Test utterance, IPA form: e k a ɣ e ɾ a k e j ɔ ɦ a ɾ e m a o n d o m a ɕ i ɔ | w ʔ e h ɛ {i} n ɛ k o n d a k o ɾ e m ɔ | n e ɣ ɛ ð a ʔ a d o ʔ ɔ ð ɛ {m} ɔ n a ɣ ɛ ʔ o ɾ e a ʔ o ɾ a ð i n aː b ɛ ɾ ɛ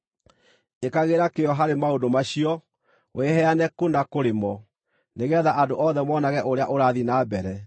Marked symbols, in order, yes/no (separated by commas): no, yes